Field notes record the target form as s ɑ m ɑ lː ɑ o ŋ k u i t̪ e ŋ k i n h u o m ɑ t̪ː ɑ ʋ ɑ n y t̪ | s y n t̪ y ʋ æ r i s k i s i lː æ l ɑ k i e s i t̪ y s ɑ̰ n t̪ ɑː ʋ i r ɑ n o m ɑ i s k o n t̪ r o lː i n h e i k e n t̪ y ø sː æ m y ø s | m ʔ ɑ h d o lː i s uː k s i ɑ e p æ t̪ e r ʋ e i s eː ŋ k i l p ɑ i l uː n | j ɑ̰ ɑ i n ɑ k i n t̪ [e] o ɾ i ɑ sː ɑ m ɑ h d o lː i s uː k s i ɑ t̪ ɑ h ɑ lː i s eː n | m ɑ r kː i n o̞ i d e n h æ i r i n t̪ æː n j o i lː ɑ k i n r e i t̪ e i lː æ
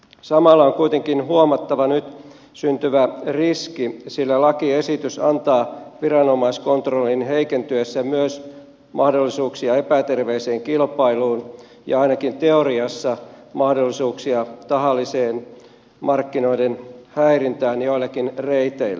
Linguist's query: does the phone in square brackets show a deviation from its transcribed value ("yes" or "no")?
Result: no